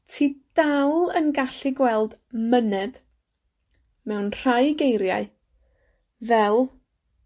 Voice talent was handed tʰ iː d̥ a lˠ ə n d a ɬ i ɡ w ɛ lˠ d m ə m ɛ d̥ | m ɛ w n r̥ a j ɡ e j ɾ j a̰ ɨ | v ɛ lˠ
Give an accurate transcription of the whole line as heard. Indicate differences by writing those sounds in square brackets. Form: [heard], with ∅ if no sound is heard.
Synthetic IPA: tʰ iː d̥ a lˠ ə n [ɡ] a ɬ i ɡ w ɛ lˠ d m ə [n] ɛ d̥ | m ɛ w n r̥ a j ɡ e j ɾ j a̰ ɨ | v ɛ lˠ